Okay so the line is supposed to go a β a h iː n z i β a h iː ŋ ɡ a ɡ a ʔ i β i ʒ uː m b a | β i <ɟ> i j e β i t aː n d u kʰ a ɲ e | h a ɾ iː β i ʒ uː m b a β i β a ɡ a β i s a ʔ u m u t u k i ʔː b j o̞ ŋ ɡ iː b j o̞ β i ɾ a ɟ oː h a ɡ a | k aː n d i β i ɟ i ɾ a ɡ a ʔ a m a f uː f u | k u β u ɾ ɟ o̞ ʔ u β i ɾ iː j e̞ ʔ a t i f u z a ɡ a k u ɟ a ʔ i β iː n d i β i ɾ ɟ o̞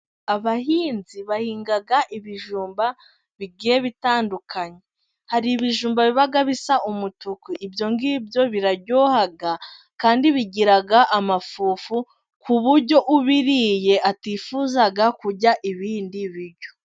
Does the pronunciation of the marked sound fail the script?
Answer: yes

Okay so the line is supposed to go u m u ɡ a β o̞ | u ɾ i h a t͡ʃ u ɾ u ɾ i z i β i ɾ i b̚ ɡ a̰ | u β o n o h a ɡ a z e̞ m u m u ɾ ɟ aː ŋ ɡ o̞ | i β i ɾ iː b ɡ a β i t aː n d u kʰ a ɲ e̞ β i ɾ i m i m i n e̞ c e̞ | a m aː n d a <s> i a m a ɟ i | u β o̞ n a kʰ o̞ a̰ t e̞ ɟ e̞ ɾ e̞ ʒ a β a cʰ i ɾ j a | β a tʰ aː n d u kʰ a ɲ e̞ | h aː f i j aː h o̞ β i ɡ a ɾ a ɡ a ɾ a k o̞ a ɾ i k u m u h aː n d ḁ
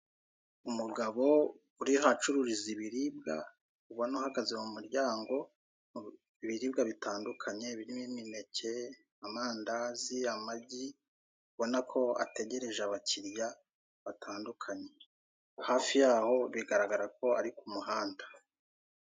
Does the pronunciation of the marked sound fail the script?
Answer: yes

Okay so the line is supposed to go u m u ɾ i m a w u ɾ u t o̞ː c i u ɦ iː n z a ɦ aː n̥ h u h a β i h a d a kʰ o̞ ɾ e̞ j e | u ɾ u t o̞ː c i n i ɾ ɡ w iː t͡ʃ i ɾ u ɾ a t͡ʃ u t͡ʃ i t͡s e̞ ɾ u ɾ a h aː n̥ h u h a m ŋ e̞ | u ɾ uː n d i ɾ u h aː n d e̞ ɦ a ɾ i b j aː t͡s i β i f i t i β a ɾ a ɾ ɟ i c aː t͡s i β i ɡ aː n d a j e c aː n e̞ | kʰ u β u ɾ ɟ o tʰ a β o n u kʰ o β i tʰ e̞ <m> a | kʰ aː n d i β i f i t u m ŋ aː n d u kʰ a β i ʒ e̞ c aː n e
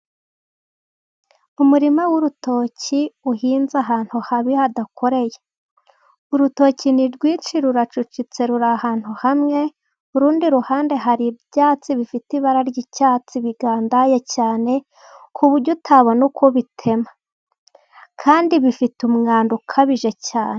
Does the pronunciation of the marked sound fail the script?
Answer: no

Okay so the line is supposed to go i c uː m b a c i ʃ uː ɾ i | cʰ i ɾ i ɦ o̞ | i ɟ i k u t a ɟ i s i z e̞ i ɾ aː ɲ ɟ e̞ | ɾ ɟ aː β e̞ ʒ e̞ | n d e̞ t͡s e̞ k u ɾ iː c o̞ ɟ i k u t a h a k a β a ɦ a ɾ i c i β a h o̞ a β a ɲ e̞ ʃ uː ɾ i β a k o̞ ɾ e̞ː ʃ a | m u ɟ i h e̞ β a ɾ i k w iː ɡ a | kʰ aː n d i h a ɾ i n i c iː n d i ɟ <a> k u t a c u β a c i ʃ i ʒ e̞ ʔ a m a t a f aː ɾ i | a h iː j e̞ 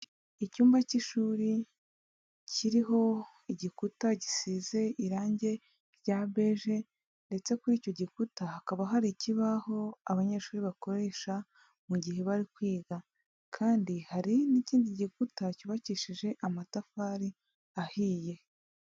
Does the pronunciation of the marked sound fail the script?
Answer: yes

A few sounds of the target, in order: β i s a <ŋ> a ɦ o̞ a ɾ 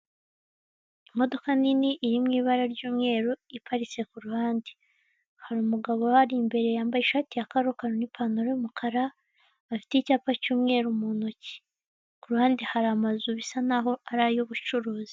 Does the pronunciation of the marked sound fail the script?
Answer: yes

